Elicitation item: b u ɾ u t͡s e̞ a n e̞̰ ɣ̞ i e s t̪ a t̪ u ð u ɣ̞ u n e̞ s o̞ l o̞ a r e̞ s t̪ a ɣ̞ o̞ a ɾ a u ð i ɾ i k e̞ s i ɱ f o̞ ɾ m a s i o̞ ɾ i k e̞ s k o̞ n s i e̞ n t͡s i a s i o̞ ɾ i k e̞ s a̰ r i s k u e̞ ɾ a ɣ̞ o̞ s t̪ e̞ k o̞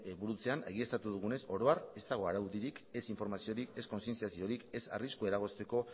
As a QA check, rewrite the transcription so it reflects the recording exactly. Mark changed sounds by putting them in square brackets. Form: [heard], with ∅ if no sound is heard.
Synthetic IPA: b u ɾ u t͡s e̞ a n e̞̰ ɣ̞ i e s t̪ a t̪ u ð u ɣ̞ u n e̞ s o̞ [ɾ] o̞ a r e̞ s t̪ a ɣ̞ o̞ a ɾ a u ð i ɾ i k e̞ s i ɱ f o̞ ɾ m a s i o̞ ɾ i k e̞ s k o̞ n s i e̞ n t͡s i a s i o̞ ɾ i k e̞ s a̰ r i s k u e̞ ɾ a ɣ̞ o̞ s t̪ e̞ k o̞

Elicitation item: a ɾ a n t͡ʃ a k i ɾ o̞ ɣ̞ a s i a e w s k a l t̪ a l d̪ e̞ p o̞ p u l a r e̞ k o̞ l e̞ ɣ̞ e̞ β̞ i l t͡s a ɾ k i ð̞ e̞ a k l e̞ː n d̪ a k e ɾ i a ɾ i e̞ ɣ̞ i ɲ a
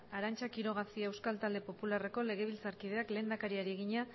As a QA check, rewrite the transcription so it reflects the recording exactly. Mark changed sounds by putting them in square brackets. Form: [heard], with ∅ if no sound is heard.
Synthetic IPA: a ɾ a n t͡ʃ a k i ɾ o̞ ɣ̞ a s i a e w s k a l t̪ a l d̪ e̞ p o̞ p u l a r e̞ k o̞ l e̞ ɣ̞ e̞ β̞ i l t͡s a ɾ k i ð̞ e̞ a k l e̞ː n d̪ a k [a] ɾ i a ɾ i e̞ ɣ̞ i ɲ a

